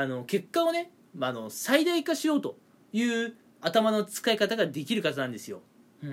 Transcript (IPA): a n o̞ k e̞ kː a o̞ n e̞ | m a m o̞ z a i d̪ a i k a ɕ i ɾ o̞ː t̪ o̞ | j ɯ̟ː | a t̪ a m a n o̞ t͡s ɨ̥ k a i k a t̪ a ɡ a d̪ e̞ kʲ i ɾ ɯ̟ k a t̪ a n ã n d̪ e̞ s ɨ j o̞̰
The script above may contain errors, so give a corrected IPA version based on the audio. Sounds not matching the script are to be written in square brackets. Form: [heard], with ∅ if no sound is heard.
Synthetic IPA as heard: a n o̞ k e̞ kː a o̞ n e̞ | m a [n] o̞ [s] a i d̪ a i k a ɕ i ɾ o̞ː t̪ o̞ | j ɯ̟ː | a t̪ a m a n o̞ t͡s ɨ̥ k a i k a t̪ a ɡ a d̪ e̞ kʲ i ɾ ɯ̟ k a t̪ a n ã n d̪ e̞ s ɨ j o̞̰